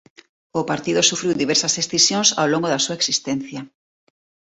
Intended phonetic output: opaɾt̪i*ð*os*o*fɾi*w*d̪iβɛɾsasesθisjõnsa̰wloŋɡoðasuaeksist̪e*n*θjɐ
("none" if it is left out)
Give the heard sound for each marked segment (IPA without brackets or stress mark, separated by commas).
ð, u, w, n